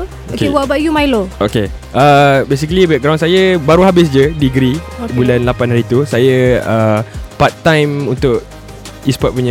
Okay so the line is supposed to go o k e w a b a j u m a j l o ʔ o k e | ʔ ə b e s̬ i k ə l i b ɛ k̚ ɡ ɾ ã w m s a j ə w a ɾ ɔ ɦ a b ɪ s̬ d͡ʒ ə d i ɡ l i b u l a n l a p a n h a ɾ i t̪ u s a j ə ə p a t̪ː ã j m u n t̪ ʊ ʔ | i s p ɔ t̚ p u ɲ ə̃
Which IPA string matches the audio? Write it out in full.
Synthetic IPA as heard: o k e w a b a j u m a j l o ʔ o k e | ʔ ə b e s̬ i k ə l i b ɛ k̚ ɡ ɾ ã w n s a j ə b a ɾ u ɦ a b ɪ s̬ d͡ʒ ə d i ɡ ɾ i b u l a n l a p a n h a ɾ i t̪ u s a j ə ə p a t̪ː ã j m u n t̪ ʊ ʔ | i s p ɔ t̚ p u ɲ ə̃